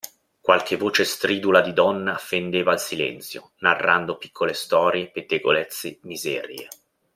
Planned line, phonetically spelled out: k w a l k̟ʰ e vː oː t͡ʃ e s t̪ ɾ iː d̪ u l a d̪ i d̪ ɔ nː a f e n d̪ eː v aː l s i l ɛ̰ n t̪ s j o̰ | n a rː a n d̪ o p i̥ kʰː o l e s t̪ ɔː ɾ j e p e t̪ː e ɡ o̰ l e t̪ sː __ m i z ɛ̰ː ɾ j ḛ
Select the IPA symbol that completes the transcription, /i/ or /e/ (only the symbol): e